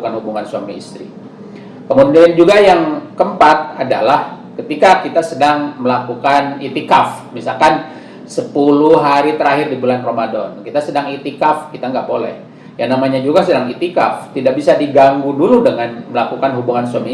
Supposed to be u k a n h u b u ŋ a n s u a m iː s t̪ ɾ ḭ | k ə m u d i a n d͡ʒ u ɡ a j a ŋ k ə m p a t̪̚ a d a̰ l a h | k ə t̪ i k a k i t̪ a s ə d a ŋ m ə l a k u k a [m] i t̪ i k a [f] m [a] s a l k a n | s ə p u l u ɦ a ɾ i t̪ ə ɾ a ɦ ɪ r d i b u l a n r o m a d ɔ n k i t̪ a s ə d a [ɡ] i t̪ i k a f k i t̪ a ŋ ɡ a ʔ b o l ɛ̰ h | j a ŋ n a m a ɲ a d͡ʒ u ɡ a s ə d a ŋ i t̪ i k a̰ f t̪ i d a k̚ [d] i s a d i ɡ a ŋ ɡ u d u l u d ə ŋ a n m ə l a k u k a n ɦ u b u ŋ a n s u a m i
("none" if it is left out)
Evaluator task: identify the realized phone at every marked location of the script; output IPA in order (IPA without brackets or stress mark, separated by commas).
n, f, i, ŋ, b